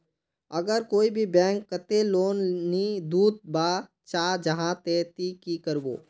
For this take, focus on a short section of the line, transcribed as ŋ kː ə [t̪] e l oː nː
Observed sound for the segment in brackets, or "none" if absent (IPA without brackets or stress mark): t̪